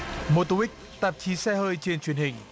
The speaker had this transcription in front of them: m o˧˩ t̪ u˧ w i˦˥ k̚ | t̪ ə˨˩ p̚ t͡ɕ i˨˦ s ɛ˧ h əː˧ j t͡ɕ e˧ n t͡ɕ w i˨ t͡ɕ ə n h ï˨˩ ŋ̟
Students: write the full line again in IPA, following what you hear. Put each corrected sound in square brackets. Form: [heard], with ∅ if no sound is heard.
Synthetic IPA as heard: m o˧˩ t̪ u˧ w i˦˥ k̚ | t̪ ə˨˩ p̚ t͡ɕ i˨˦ s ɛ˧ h əː˧ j t͡ɕ e˧ n t͡ɕ w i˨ [∅] ə n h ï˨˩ ŋ̟